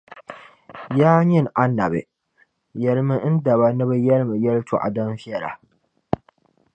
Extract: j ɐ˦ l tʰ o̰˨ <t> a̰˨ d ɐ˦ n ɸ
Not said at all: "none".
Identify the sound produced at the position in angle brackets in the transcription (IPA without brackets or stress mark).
ʔ